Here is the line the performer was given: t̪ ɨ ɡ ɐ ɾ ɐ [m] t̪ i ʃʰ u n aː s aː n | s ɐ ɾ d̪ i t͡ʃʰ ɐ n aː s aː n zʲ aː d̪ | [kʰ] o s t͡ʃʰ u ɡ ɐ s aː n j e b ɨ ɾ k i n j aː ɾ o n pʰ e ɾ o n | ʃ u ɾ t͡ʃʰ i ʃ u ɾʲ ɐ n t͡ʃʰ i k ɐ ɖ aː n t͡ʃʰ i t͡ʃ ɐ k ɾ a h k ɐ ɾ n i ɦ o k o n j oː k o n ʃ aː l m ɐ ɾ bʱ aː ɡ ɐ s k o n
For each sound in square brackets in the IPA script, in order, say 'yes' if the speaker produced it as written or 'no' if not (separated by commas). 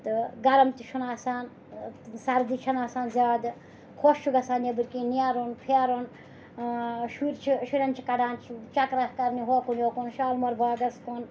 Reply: yes, yes